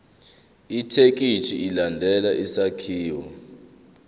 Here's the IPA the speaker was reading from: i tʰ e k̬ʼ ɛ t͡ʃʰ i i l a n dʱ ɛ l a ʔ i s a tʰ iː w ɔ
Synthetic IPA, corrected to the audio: i tʰ e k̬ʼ i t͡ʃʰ i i l a n dʱ ɛ l a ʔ i s a kʰ iː w ɔ